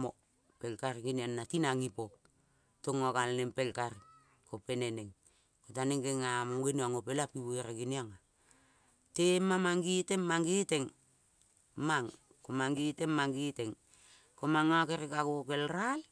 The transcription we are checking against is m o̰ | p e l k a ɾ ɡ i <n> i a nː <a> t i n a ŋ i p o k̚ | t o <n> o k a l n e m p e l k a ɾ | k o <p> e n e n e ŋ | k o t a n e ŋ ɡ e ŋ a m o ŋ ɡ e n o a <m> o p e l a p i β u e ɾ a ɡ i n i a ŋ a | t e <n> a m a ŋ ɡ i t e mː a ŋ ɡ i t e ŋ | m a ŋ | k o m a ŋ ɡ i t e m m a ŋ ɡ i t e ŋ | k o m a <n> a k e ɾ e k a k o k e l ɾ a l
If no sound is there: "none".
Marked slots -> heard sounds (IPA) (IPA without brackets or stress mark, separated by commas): n, a, ŋ, p, ŋ, m, ŋ